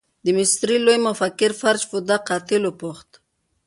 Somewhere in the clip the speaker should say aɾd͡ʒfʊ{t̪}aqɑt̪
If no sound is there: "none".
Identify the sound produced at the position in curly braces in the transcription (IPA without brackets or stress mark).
d̪